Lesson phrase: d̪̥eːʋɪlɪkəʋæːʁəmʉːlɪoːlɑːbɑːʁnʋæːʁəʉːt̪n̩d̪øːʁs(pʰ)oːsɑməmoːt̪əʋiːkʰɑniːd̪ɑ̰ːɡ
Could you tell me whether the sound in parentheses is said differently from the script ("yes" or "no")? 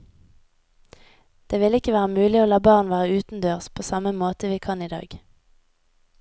no